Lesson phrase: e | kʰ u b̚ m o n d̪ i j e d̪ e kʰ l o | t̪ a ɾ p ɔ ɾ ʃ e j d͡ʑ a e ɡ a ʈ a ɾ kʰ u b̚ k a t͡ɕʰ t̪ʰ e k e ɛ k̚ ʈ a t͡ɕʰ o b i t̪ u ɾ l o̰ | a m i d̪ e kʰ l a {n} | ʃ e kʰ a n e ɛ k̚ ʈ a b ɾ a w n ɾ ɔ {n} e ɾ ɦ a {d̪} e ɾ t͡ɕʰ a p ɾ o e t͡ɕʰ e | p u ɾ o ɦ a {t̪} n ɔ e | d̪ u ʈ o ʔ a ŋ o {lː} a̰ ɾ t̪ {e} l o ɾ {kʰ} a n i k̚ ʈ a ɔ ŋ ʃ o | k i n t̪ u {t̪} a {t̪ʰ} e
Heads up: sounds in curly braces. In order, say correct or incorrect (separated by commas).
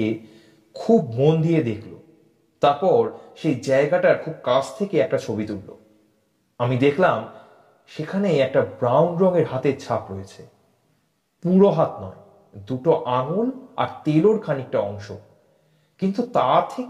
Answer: incorrect, incorrect, incorrect, correct, incorrect, correct, correct, correct, correct